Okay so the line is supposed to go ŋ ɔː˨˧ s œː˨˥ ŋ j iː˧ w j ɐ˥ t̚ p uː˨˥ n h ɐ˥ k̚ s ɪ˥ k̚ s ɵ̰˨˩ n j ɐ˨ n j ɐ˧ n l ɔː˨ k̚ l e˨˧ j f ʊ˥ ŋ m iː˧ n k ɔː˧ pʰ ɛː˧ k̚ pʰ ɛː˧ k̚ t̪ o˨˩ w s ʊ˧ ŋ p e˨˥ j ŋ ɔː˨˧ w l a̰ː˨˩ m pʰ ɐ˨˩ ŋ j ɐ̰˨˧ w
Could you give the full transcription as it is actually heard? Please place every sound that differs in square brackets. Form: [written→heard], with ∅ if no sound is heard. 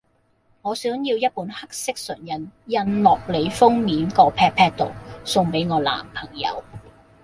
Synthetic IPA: ŋ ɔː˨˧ s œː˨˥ ŋ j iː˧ w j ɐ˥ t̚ p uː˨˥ n h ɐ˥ k̚ s ɪ˥ k̚ s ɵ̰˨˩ n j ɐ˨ n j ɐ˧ n l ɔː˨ k̚ l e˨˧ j f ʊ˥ ŋ m [iː˧→iː˨˥] n k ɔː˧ pʰ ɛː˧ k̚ pʰ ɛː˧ k̚ t̪ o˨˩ w s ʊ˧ ŋ p e˨˥ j ŋ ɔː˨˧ [w→∅] l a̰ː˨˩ m pʰ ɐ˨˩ ŋ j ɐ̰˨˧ w